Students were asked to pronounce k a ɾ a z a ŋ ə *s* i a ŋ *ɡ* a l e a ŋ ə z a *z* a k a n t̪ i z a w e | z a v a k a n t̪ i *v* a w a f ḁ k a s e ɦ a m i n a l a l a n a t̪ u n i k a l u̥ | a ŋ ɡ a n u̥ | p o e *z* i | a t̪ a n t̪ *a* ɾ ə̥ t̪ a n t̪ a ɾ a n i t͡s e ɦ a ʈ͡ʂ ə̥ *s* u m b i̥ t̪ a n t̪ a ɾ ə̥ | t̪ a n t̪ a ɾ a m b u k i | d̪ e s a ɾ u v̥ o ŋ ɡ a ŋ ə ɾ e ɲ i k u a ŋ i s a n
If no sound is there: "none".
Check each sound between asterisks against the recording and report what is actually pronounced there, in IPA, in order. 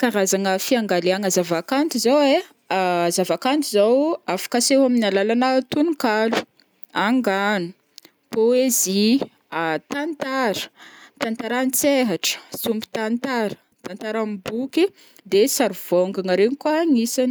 f, ɡ, v, z, z, a, s

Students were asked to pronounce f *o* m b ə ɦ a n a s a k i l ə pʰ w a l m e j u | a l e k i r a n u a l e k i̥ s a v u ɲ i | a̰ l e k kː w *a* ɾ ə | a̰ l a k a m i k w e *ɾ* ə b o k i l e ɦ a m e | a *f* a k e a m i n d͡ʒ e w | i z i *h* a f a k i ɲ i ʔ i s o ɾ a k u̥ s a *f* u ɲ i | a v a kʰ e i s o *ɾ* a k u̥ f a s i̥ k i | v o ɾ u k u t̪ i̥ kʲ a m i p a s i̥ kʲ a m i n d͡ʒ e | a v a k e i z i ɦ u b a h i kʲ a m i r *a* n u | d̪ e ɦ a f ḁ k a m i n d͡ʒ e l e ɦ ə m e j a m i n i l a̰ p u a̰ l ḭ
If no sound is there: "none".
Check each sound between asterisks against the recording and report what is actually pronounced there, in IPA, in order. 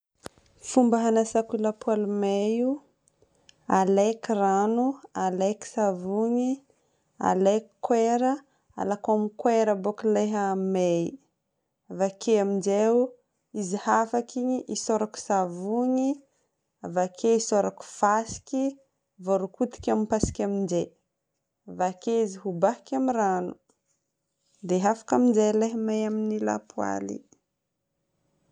u, e, ɾ, v, h, v, ɾ, a

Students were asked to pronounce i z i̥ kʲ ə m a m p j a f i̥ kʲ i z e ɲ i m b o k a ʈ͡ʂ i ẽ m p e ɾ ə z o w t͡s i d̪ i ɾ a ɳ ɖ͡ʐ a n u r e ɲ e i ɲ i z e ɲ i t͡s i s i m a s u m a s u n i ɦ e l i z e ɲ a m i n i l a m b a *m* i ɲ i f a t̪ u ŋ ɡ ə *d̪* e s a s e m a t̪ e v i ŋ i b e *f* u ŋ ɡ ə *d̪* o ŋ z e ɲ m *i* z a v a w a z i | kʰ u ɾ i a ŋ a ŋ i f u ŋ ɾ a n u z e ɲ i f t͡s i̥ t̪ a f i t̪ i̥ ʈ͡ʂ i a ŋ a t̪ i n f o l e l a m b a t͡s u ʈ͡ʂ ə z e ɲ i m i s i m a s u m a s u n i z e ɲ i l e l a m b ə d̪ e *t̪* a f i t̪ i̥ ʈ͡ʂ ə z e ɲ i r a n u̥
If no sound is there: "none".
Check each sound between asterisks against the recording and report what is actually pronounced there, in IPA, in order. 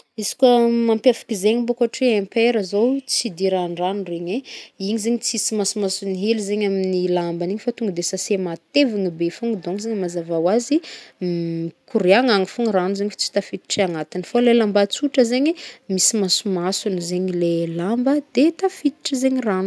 n, d̪, f, d̪, a, t̪

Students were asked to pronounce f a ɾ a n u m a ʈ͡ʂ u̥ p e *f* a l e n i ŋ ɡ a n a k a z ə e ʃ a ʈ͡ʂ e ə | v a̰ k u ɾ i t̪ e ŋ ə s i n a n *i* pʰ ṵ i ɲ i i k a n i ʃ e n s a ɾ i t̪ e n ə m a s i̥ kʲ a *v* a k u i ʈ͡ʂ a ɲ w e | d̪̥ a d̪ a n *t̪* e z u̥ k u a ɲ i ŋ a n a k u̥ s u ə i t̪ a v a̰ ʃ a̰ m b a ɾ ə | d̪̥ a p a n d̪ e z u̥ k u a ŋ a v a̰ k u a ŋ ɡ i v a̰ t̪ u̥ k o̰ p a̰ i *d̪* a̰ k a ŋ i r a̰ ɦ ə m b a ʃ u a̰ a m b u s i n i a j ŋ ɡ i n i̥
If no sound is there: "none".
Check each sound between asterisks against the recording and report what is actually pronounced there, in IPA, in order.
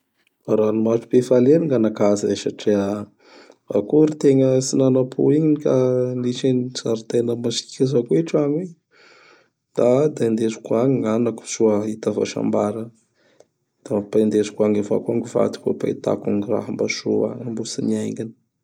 f, a, z, d̪, t̪

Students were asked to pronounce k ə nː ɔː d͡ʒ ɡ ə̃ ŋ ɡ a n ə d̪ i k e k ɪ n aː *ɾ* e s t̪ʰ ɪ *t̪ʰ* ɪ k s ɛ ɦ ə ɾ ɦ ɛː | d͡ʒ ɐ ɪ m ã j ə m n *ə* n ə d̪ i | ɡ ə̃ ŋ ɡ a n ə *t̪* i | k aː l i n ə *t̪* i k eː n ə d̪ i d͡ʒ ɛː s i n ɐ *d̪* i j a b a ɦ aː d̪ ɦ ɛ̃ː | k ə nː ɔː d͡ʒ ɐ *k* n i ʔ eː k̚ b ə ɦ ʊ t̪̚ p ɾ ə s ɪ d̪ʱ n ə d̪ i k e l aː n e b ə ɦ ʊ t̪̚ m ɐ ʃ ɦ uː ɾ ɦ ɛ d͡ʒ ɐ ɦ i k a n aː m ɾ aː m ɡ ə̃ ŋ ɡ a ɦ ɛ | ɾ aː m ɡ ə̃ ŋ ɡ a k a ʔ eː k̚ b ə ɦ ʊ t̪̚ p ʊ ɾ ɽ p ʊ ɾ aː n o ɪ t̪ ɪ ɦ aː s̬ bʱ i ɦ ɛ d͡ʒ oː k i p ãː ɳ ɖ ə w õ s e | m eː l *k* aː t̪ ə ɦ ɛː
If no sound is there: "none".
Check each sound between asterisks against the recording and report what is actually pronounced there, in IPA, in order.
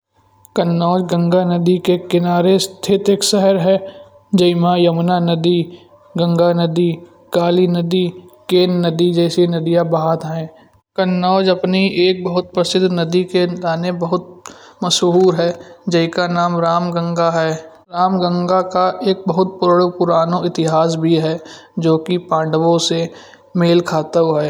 ɾ, t̪, a, d̪, d̪, d̪, p, kʰ

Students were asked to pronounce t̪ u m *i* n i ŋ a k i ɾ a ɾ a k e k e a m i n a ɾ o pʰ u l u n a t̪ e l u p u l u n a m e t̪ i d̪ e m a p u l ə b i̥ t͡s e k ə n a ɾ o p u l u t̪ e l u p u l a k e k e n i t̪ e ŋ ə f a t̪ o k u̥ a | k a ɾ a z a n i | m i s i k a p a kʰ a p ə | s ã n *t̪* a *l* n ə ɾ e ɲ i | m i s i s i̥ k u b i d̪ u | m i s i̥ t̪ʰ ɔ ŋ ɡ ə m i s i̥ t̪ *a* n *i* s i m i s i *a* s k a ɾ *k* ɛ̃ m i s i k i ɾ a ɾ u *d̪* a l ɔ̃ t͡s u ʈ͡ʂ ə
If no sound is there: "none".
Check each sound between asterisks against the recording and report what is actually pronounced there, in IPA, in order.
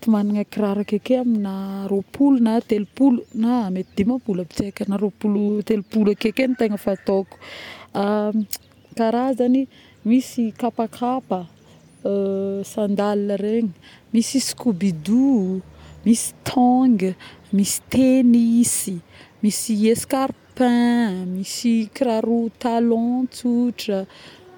a, d̪, l, e, i, e, p, t̪

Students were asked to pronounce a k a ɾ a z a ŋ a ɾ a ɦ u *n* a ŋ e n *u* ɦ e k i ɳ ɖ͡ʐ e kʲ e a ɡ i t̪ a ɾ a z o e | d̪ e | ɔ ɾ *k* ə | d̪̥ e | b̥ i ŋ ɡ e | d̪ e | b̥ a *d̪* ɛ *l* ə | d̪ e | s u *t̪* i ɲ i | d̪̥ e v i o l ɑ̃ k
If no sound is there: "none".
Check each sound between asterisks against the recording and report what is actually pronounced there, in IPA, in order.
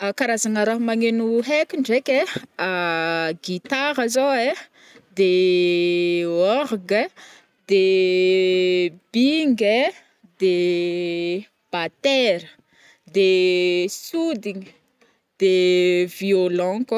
m, u, ɡ, t̪, ɾ, d̪

